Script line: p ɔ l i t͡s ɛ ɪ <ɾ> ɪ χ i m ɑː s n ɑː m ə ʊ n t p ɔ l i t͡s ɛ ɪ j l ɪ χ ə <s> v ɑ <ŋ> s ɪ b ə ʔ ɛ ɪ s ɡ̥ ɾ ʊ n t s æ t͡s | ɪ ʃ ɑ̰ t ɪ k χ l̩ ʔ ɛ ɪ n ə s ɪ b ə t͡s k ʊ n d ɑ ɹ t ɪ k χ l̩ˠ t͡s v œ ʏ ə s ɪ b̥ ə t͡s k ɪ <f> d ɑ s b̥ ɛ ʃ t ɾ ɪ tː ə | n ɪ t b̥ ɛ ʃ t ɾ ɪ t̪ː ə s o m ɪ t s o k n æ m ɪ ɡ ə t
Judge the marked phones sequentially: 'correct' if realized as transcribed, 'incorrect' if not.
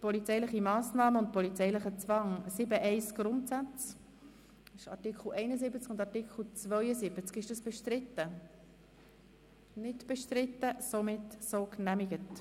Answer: incorrect: l, incorrect: t͡s, correct, incorrect: ʃ

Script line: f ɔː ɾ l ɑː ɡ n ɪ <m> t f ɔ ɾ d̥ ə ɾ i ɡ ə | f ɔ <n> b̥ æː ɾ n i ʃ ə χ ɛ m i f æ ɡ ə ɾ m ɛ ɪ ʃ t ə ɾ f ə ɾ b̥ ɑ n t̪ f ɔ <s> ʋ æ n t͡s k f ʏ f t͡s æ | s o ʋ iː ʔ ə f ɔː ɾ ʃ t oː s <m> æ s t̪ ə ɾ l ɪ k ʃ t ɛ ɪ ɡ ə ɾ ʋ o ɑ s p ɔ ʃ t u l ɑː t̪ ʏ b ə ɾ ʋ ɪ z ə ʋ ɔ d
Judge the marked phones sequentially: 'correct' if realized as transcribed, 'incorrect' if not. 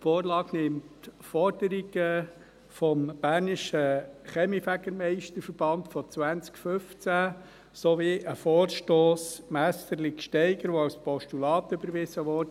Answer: correct, incorrect: m, incorrect: t͡s, correct

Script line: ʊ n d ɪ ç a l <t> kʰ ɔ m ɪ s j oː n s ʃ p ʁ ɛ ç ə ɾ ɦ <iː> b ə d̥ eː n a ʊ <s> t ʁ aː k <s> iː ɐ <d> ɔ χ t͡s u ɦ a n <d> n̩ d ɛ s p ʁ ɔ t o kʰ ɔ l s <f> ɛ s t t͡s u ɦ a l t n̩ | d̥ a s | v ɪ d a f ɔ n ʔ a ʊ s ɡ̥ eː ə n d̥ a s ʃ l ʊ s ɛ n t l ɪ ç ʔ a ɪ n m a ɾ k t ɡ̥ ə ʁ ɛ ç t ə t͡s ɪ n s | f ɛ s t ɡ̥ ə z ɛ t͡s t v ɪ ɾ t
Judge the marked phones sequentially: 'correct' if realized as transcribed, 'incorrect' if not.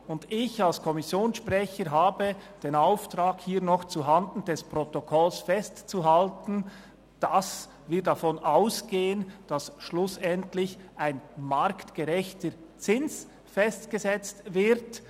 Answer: incorrect: s, incorrect: aː, incorrect: f, incorrect: h, incorrect: n, correct, correct

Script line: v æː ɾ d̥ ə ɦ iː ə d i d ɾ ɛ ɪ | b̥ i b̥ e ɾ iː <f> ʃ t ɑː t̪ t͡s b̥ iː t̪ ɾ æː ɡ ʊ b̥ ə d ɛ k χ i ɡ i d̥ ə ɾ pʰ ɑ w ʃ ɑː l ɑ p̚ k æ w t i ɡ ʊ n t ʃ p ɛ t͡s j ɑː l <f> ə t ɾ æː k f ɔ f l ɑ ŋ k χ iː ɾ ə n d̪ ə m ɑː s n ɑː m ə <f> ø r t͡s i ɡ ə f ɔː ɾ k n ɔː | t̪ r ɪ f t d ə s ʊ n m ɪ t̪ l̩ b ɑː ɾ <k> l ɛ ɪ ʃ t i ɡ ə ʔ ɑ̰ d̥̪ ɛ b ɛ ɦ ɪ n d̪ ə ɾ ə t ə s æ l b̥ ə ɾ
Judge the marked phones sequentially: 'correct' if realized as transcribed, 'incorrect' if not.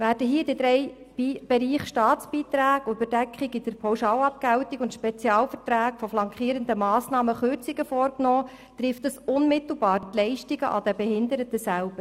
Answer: incorrect: χ, correct, incorrect: χ, incorrect: t

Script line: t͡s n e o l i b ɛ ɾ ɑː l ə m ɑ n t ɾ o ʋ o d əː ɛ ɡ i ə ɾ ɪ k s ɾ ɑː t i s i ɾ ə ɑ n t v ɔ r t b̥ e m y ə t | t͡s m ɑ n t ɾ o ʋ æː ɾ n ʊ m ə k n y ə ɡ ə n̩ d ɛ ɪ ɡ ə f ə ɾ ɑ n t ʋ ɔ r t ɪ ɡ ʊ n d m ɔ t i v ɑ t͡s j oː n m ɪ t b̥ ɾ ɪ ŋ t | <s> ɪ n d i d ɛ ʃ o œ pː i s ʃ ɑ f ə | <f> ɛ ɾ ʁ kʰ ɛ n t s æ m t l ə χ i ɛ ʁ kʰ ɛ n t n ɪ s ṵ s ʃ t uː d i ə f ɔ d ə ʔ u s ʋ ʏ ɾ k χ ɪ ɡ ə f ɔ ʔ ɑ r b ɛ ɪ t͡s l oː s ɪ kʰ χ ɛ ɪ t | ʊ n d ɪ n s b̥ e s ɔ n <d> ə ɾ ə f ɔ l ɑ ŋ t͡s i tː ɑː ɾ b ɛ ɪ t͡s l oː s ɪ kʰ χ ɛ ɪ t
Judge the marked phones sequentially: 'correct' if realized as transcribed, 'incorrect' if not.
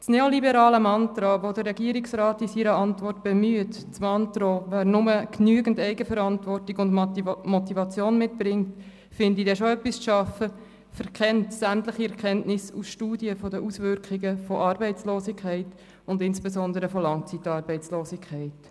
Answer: incorrect: f, correct, correct

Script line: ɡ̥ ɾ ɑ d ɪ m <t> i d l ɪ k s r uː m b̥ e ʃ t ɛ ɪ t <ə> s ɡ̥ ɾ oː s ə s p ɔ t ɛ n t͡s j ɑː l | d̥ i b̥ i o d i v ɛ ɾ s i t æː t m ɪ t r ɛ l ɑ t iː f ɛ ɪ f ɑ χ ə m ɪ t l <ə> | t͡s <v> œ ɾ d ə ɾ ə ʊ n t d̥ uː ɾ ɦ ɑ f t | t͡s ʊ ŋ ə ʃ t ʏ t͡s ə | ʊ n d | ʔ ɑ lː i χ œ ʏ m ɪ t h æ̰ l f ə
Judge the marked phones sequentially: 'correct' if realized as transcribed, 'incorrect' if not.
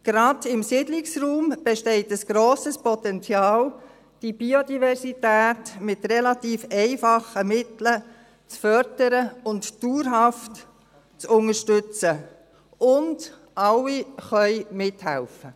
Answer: incorrect: s, correct, correct, incorrect: f

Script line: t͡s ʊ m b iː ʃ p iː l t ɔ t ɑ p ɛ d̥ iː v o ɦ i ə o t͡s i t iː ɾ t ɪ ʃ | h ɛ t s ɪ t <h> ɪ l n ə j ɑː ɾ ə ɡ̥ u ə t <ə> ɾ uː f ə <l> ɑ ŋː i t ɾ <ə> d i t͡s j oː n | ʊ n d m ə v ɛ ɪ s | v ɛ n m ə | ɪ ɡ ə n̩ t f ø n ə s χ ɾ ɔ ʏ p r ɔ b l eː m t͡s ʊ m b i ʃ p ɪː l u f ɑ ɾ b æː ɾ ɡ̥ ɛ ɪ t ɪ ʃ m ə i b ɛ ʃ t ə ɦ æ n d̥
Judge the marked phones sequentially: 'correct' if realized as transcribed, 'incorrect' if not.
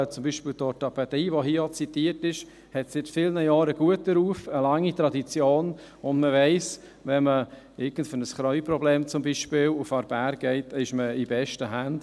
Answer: incorrect: f, correct, correct, incorrect: ɑ

